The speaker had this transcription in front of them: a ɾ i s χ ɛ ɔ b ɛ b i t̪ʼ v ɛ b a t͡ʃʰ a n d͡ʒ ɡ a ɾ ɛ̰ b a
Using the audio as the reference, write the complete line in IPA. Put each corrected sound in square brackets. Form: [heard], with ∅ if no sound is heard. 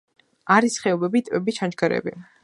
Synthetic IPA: a ɾ i s χ ɛ ɔ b ɛ b i t̪ʼ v ɛ b [i] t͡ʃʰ a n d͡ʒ ɡ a ɾ ɛ̰ b [i]